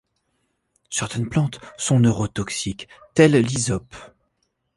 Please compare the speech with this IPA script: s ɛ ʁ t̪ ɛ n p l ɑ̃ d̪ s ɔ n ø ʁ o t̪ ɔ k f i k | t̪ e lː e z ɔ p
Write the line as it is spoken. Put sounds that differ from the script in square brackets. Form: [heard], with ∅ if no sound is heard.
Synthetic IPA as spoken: s ɛ ʁ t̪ ɛ n p l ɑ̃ [t̪] s [ɔ̃] n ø ʁ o t̪ ɔ k [s] i k | t̪ [ɛ] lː [i] z ɔ p